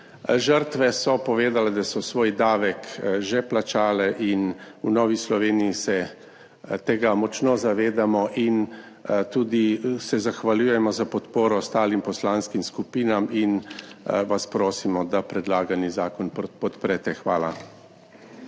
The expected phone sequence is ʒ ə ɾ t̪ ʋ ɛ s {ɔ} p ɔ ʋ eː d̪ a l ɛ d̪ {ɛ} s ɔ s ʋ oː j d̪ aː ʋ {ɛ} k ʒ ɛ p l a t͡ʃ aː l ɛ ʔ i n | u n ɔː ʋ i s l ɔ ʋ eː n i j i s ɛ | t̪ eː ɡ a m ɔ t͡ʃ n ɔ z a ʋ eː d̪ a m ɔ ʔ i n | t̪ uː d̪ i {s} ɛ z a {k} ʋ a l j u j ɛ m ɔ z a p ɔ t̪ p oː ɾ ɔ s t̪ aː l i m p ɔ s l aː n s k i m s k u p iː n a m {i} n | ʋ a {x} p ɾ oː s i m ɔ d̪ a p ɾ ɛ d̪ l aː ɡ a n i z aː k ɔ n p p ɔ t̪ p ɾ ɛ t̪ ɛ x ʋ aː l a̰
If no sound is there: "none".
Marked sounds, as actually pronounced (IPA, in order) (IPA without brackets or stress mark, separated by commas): ɔ, a, ɛ, s, x, i, s